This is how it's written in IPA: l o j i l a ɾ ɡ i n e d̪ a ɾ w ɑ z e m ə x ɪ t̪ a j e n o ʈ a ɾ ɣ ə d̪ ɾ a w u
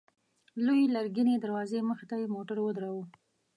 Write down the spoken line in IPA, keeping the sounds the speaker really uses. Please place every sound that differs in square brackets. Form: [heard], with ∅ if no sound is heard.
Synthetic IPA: l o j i l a ɾ ɡ i n e d̪ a ɾ w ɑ z e m ə x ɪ t̪ a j e [m] o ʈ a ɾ [w] ə d̪ ɾ a w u